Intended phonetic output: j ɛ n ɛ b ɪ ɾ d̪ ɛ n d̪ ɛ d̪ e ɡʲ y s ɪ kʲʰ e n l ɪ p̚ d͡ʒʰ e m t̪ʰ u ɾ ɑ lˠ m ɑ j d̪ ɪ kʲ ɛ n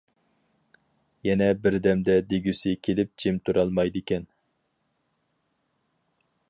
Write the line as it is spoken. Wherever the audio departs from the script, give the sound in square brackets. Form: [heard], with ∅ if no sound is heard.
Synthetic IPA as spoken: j ɛ n ɛ b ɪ ɾ d̪ ɛ [m] d̪ ɛ d̪ e ɡʲ y s ɪ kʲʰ e [∅] l ɪ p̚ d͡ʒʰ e m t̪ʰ u ɾ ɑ lˠ m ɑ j d̪ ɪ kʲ ɛ n